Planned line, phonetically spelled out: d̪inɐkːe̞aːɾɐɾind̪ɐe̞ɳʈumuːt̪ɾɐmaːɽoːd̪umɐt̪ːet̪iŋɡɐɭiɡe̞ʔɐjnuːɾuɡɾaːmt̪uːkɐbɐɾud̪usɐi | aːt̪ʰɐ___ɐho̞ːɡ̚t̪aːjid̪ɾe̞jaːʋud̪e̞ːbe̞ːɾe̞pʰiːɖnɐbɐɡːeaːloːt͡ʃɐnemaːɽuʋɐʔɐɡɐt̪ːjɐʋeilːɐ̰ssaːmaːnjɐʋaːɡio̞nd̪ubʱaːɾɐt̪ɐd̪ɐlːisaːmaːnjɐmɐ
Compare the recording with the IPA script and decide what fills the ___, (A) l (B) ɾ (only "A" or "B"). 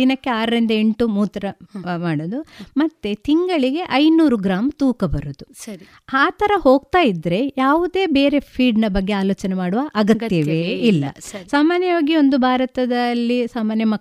B